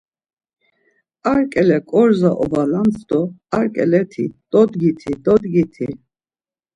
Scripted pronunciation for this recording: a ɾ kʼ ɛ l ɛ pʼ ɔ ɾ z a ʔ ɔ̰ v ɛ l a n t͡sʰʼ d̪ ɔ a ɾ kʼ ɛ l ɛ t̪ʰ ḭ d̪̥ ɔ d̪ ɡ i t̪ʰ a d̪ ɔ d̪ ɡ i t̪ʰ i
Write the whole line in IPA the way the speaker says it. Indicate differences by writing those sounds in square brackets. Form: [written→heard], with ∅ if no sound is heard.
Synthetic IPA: a ɾ kʼ ɛ l ɛ [pʼ→kʼ] ɔ ɾ z a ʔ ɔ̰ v [ɛ→a] l a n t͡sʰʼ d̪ ɔ a ɾ kʼ ɛ l ɛ t̪ʰ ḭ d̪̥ ɔ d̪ ɡ i t̪ʰ [a→i] d̪ ɔ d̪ ɡ i t̪ʰ i